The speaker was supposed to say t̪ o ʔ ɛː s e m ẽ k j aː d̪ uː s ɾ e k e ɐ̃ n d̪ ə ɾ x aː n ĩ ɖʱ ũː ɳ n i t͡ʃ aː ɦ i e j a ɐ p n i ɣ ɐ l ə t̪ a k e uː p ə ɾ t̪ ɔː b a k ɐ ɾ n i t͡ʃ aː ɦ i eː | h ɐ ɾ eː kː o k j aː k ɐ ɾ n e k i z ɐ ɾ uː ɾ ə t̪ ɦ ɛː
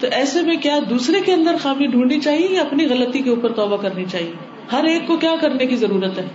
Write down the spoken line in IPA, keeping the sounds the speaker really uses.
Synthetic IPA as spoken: t̪ o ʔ ɛː s e m ẽ k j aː d̪ uː s ɾ e k e ɐ̃ n d̪ ə ɾ x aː m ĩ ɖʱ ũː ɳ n i t͡ʃ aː ɦ i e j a ɐ p n i ɣ ɐ l ə t̪ i k e uː p ə ɾ t̪ ɔː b a k ɐ ɾ n i t͡ʃ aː ɦ i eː | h ɐ ɾ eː kː o k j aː k ɐ ɾ n e k i z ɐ ɾ uː ɾ ə t̪ ɦ ɛː